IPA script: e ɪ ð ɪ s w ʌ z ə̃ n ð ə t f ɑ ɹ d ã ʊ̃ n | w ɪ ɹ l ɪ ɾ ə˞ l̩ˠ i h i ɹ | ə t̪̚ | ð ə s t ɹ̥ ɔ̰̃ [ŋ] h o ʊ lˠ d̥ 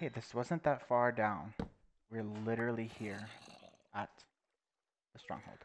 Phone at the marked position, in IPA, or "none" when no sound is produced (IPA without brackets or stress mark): ŋ